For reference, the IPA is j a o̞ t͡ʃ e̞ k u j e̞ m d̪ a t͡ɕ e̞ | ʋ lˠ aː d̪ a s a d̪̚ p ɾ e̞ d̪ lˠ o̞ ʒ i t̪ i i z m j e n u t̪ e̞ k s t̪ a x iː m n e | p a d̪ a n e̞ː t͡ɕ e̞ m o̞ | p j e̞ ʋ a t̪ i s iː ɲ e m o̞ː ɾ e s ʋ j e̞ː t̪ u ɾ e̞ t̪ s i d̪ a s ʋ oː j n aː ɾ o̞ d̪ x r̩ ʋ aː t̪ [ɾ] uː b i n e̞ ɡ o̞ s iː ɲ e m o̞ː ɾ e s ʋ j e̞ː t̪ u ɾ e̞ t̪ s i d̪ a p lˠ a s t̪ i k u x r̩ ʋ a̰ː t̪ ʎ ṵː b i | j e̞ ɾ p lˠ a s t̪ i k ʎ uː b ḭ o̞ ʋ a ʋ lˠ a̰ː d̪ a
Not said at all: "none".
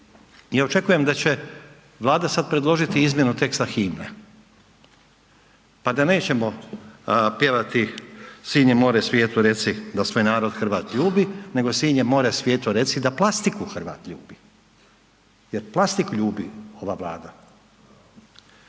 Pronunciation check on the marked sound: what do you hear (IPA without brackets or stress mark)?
ʎ